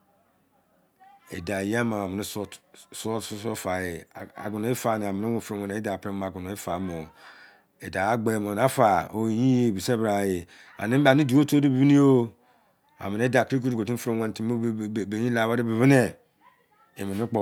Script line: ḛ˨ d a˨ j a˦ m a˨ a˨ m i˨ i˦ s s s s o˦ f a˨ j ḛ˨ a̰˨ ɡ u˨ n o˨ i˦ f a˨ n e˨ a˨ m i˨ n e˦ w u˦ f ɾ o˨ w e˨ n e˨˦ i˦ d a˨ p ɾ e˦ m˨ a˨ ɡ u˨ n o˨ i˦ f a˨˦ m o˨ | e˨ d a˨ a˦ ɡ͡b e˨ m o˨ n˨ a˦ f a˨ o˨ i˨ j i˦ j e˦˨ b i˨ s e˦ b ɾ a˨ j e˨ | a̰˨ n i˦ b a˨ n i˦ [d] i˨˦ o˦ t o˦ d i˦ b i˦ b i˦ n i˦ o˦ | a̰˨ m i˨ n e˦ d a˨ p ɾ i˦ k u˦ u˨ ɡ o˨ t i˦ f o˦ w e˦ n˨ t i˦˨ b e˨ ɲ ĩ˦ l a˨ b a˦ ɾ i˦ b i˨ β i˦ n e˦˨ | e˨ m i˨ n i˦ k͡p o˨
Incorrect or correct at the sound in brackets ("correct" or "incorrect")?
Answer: correct